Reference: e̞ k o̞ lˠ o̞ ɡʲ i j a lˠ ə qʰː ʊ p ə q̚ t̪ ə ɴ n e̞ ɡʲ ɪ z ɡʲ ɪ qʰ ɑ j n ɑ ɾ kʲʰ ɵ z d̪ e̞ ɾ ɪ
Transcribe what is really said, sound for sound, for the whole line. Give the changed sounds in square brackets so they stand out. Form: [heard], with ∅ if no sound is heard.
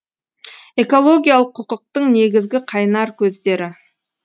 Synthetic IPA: e̞ k o̞ lˠ o̞ ɡʲ i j a lˠ ə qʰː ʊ [q] ə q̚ t̪ ə ɴ n e̞ ɡʲ ɪ z ɡʲ ɪ qʰ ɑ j n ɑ ɾ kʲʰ ɵ z d̪ e̞ ɾ ɪ